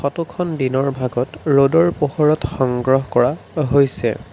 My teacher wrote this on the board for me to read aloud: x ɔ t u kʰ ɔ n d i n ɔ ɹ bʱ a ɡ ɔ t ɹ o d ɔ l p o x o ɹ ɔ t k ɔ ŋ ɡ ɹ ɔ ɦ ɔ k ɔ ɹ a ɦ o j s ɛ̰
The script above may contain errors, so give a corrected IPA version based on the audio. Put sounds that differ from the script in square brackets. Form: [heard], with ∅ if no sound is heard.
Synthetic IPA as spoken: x ɔ t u kʰ ɔ n d i n ɔ ɹ bʱ a ɡ ɔ t ɹ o d ɔ [ɹ] p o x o ɹ ɔ t [x] ɔ ŋ ɡ ɹ ɔ ɦ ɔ k ɔ ɹ a ɦ o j s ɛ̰